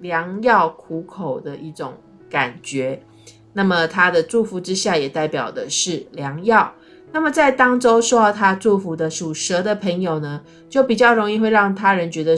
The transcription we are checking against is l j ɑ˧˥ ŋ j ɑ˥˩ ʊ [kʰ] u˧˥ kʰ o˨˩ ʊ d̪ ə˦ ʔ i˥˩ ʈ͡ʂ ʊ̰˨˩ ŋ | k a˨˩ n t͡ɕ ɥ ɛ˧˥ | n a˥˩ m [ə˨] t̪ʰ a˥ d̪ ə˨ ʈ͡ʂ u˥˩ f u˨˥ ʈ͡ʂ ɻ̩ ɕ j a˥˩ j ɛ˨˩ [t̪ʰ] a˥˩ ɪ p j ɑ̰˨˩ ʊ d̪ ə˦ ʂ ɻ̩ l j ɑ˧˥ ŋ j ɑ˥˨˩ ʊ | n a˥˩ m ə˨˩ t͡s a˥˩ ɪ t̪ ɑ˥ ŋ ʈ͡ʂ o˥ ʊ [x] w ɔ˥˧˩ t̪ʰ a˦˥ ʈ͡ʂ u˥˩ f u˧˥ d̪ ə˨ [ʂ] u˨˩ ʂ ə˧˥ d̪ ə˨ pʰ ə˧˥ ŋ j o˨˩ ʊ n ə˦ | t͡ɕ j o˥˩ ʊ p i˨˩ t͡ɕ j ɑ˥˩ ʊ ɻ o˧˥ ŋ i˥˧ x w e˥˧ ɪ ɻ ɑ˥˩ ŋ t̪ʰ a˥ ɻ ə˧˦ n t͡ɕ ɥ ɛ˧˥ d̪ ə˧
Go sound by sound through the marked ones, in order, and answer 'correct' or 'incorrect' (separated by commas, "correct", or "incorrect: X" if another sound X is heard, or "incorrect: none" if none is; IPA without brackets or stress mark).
correct, correct, incorrect: t̪, incorrect: ʂ, correct